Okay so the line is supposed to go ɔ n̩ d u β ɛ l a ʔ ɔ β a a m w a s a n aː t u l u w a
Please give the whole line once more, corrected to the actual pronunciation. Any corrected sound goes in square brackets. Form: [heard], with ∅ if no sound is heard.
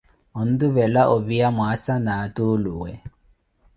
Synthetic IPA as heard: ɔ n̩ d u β ɛ l a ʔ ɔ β [i] a m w a s a n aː t u l u w [ɛ]